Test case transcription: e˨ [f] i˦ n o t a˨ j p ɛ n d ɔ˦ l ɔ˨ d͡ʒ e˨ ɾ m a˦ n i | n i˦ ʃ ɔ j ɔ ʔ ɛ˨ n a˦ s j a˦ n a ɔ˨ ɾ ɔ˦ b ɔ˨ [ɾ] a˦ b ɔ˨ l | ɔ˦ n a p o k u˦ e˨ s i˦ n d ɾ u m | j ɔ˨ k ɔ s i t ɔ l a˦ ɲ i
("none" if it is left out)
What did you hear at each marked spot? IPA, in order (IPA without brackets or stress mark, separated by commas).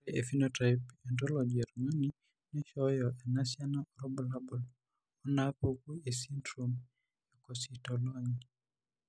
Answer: f, l